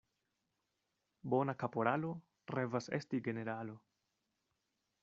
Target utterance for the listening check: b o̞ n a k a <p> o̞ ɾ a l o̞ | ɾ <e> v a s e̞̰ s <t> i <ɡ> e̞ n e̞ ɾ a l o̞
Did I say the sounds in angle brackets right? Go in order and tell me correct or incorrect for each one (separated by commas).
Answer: correct, correct, correct, correct